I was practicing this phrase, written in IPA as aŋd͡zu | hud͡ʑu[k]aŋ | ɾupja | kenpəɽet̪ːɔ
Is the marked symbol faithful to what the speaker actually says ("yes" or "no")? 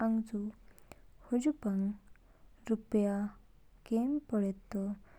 no